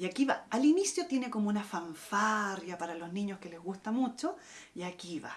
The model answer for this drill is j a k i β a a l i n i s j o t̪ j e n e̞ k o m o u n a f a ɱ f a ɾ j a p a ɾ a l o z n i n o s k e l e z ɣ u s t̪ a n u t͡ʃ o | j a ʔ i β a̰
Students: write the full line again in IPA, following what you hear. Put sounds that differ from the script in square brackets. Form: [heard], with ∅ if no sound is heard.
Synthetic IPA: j a k i β a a l i n i s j o t̪ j e n e̞ k o m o u n a f a ɱ f a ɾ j a p a ɾ a l o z n i [ɲ] o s k e l e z ɣ u s t̪ a [m] u t͡ʃ o | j a [k] i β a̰